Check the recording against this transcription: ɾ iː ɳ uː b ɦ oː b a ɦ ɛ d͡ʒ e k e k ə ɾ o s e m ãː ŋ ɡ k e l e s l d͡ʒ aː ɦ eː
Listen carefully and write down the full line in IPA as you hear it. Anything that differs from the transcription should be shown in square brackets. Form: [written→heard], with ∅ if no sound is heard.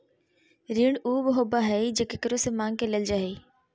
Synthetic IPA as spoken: ɾ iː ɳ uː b ɦ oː b a ɦ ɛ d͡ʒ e k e k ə ɾ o s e m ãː ŋ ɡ k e l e [s→∅] l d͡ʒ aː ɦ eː